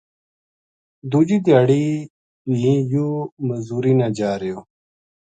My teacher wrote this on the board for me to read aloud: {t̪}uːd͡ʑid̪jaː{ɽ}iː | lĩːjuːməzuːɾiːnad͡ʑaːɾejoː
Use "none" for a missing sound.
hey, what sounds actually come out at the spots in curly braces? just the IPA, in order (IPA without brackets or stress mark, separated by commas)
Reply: d̪, ɽ